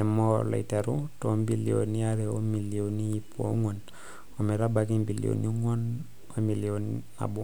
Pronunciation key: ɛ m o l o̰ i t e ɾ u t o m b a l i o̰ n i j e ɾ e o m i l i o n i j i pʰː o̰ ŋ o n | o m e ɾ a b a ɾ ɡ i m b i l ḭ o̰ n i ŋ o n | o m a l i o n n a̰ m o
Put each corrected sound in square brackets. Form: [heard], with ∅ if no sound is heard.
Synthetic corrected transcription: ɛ m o l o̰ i t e ɾ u t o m b [i] l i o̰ n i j [a] ɾ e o m i l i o n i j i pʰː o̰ ŋ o n | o m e ɾ a b a [∅] ɡ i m b i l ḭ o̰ n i ŋ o n | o m [i] l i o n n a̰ [b] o